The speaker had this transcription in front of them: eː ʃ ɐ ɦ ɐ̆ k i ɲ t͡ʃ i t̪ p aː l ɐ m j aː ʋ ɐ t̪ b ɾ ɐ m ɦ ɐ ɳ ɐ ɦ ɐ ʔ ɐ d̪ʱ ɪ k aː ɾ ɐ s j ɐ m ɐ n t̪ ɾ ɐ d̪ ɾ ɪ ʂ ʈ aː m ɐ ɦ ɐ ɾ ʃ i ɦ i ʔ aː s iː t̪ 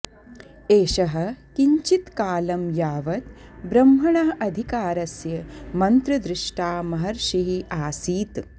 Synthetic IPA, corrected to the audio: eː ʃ ɐ ɦ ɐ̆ k i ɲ t͡ʃ i t̪ k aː l ɐ m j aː ʋ ɐ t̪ b ɾ ɐ m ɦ ɐ ɳ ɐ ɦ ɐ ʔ ɐ d̪ʱ i k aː ɾ ɐ s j ɐ m ɐ n t̪ ɾ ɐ d̪ ɾ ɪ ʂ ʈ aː m ɐ ɦ ɐ ɾ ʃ i ɦ i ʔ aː s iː t̪